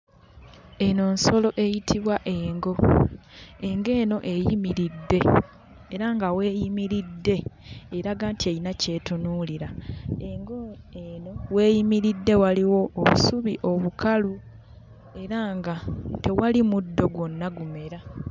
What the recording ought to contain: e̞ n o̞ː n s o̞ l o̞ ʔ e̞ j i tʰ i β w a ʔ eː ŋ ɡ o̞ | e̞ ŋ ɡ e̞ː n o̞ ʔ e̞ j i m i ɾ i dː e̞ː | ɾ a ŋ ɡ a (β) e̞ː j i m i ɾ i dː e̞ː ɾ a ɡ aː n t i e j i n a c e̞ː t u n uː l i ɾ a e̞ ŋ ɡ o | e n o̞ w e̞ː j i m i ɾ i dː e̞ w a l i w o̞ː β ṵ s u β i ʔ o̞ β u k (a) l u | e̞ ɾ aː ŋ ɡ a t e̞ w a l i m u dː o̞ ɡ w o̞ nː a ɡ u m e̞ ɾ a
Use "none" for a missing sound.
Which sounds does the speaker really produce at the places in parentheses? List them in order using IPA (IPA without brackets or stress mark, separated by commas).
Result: w, a